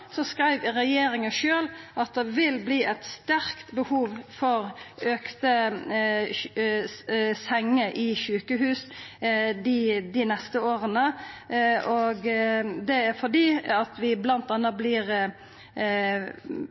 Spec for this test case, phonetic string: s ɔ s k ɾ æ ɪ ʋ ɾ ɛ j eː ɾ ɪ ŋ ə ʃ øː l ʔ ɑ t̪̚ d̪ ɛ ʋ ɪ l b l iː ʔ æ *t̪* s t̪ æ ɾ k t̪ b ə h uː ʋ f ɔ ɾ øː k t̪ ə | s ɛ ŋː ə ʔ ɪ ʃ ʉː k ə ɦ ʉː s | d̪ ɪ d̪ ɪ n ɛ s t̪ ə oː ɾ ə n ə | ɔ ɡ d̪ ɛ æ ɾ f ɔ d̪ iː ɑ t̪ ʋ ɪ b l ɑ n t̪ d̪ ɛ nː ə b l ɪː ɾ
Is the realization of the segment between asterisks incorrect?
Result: no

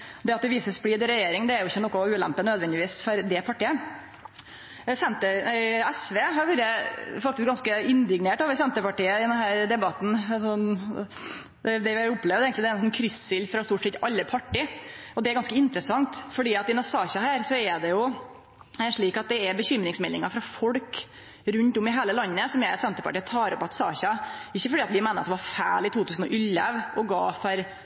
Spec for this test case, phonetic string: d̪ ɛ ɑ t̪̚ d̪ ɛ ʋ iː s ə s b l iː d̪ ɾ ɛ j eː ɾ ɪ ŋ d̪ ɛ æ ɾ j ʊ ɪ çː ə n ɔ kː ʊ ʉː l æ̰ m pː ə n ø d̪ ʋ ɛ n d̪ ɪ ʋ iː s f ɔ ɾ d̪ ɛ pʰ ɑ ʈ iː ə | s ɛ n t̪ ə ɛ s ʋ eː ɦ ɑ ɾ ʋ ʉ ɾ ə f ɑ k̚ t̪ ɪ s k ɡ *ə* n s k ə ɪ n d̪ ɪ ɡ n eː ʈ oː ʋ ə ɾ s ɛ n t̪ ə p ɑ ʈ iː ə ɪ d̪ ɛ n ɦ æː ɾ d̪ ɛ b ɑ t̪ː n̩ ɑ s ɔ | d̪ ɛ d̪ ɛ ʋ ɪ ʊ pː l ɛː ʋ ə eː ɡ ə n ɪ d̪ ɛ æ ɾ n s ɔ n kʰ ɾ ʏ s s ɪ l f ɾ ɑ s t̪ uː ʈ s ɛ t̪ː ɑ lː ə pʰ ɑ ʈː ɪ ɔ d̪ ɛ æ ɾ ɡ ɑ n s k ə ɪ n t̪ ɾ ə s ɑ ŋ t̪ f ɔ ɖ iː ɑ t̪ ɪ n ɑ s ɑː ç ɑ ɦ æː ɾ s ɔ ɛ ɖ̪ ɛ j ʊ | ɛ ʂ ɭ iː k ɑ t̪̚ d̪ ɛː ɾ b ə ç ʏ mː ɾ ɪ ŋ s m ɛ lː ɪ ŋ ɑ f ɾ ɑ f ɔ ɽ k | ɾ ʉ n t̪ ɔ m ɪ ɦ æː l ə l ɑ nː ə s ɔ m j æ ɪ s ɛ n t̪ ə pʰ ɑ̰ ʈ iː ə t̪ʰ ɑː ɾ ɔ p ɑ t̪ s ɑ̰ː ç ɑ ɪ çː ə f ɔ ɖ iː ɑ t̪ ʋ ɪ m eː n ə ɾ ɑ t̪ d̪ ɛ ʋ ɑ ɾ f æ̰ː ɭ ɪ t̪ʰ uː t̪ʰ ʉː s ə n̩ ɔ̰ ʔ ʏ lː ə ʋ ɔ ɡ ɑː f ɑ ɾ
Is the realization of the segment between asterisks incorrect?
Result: yes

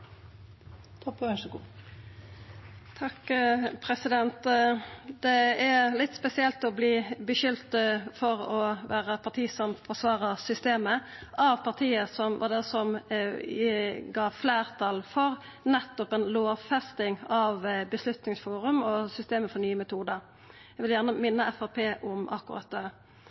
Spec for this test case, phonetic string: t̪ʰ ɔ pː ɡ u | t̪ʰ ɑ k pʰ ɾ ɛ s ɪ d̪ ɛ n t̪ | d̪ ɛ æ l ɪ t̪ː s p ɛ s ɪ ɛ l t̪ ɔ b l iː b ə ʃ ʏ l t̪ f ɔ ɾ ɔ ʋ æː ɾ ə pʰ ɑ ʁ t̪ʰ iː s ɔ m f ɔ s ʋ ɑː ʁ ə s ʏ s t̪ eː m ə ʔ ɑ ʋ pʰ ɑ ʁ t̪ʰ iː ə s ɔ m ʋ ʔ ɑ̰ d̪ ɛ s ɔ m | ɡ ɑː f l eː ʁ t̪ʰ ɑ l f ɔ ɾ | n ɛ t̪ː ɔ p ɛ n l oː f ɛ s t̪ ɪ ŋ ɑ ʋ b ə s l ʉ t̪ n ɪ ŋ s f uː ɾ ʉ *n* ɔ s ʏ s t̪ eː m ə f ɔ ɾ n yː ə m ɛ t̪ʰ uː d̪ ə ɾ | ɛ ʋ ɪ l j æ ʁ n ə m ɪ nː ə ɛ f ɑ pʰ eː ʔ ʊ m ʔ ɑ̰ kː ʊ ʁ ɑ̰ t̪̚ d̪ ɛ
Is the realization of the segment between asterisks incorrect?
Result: yes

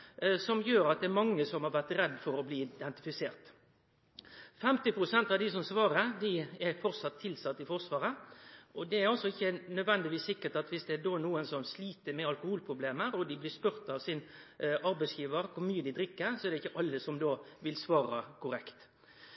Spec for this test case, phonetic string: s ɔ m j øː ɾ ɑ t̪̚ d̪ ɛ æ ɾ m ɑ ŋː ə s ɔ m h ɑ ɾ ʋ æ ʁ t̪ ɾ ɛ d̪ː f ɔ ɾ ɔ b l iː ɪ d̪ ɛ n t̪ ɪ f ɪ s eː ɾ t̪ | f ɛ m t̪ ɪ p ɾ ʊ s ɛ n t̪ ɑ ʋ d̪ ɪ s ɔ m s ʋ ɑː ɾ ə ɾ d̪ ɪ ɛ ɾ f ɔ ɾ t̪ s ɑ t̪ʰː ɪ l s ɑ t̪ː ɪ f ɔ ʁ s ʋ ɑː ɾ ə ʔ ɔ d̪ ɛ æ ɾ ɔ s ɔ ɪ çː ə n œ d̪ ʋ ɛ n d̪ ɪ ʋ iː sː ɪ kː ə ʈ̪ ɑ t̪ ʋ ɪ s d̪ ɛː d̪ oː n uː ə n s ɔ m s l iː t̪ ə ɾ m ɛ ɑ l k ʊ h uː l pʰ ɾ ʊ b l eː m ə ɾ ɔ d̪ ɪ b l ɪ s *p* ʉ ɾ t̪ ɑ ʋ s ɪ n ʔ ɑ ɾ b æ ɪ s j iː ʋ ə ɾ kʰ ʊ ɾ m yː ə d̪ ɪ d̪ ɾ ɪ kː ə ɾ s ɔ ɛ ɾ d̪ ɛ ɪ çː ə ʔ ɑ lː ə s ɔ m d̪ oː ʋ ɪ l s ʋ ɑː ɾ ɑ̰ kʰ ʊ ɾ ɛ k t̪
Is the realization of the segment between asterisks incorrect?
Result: no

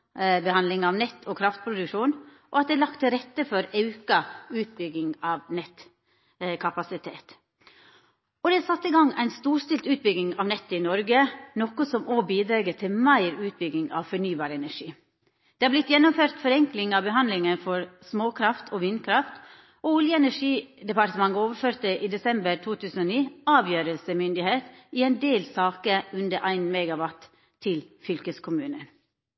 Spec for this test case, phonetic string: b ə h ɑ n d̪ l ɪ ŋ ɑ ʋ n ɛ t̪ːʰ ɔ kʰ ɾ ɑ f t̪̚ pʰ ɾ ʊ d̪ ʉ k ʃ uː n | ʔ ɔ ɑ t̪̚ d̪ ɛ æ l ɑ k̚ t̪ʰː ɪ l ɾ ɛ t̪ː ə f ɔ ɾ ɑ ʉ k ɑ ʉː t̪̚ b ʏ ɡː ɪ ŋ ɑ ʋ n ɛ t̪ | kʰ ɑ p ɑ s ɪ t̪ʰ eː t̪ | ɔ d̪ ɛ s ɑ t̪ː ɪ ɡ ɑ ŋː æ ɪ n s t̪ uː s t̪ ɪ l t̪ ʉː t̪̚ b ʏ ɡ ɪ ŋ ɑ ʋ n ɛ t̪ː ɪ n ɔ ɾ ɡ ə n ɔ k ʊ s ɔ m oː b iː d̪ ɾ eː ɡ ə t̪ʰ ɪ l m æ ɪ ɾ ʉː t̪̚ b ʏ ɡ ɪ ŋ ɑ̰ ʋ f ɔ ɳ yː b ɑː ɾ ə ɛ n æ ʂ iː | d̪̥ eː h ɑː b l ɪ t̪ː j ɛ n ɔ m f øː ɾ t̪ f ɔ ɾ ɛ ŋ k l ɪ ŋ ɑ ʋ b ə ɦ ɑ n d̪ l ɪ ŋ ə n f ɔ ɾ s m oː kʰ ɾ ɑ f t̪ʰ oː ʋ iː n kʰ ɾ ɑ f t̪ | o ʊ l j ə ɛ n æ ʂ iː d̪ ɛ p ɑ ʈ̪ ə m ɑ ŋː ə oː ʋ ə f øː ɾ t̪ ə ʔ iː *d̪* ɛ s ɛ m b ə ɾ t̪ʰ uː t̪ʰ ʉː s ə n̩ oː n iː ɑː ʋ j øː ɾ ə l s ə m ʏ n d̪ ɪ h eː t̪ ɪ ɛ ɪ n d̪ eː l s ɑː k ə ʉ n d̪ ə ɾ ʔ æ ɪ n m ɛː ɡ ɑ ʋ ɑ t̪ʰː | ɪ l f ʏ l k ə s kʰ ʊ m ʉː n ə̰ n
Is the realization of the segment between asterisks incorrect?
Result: no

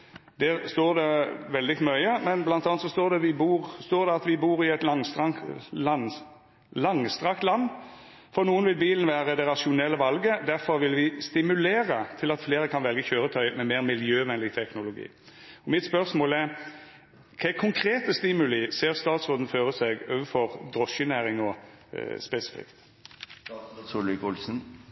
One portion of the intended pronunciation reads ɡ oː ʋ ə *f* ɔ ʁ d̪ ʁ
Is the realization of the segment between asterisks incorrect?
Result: no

